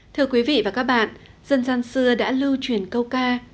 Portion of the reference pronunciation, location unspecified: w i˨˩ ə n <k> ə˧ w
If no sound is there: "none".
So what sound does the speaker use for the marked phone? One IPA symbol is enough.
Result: k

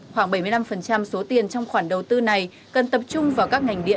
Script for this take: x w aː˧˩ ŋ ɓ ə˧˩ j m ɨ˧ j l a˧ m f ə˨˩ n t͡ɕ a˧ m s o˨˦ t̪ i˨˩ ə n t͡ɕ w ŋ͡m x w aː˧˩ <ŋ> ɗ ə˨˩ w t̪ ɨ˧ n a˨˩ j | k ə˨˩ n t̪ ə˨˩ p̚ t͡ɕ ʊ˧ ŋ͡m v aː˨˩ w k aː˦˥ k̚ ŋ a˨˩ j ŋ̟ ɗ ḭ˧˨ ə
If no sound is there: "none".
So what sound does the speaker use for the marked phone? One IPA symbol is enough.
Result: n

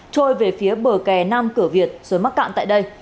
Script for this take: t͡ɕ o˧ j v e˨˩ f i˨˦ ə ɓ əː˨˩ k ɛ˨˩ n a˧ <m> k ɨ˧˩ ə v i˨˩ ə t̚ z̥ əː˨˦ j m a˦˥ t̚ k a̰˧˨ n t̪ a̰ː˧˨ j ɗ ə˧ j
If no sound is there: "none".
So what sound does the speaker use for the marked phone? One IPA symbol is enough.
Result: m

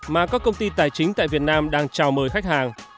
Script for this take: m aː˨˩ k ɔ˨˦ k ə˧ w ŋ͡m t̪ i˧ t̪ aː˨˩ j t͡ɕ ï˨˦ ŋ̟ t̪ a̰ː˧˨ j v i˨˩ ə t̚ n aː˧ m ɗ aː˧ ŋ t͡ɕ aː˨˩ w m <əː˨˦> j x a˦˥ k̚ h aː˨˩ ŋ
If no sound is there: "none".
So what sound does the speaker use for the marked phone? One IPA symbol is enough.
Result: əː˨˩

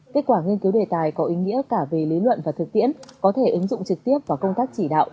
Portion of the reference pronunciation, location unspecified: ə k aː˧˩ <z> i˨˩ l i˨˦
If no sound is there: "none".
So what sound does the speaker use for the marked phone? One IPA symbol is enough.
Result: v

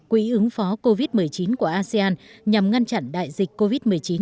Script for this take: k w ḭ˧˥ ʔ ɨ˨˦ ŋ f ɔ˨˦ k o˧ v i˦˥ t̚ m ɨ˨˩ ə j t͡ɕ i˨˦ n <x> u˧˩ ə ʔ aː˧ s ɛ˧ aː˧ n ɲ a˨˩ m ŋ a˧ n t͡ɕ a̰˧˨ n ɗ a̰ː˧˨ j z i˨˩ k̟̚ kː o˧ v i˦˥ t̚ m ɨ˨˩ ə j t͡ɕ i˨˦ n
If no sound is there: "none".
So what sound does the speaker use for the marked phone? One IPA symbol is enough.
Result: k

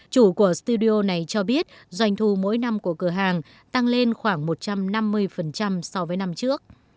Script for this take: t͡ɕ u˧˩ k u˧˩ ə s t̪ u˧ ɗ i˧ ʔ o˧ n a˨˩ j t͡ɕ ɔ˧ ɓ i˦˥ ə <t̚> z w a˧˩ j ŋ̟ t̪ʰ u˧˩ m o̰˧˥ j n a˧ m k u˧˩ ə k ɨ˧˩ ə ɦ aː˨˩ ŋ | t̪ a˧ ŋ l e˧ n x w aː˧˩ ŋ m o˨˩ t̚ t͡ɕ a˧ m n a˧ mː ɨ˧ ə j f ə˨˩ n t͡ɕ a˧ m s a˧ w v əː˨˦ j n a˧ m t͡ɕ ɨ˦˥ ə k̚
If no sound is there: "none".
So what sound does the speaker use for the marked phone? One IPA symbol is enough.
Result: t̚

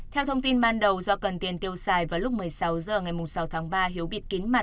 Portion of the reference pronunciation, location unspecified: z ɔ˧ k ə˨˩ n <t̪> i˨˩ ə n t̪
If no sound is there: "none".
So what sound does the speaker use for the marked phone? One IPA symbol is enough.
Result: t̪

